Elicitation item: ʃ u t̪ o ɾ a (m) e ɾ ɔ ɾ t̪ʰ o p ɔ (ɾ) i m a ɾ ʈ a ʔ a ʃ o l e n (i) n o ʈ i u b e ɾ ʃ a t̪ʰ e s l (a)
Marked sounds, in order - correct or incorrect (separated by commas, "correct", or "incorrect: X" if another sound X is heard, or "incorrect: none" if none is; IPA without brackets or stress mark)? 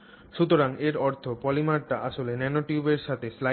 incorrect: ŋ, incorrect: l, incorrect: ɛ, correct